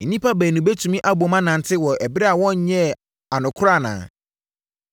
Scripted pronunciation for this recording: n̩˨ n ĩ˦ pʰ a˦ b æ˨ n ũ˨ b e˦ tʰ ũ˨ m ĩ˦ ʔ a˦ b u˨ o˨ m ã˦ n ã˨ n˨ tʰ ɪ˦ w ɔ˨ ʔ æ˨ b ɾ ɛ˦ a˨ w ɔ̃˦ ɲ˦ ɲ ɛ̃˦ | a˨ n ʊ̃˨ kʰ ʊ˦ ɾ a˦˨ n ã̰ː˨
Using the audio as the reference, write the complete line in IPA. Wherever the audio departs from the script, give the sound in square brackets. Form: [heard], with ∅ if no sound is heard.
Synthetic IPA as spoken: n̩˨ n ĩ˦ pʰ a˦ b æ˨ n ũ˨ b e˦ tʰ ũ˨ m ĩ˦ ʔ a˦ b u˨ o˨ m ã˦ n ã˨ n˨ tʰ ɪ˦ w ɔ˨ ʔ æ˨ b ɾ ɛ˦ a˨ w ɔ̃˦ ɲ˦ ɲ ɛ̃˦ | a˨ n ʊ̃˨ kʰ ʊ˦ ɾ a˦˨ n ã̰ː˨